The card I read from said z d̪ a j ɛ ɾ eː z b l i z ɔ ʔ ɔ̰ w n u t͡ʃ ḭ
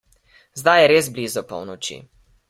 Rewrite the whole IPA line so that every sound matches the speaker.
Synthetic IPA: z d̪ a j ɛ ɾ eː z b l i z ɔ p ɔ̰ w n ɔ t͡ʃ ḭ